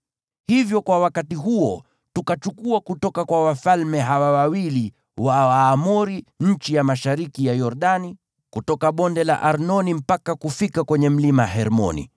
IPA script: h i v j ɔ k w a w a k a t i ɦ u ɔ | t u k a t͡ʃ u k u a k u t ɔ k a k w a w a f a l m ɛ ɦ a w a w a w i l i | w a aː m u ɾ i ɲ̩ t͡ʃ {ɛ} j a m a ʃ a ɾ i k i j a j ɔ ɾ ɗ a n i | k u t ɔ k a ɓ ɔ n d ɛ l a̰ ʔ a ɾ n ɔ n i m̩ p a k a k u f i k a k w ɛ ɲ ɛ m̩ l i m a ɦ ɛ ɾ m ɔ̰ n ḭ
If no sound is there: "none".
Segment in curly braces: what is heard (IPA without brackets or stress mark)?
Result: i